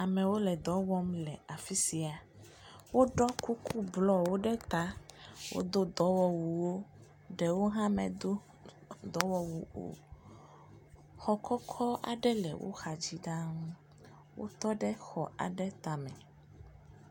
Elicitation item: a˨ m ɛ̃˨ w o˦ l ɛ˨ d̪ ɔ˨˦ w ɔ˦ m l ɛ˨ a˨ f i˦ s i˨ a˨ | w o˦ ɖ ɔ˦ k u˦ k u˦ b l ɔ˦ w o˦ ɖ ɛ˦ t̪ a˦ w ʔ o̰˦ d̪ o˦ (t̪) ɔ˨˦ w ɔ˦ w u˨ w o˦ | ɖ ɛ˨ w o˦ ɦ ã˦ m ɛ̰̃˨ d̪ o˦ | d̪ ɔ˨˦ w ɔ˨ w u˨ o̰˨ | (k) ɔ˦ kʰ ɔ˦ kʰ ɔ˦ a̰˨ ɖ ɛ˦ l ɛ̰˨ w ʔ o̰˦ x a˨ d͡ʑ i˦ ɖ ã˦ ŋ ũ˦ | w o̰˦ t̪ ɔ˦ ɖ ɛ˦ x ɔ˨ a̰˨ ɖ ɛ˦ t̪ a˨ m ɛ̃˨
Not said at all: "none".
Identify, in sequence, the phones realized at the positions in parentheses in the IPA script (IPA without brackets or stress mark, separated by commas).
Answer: d̪, x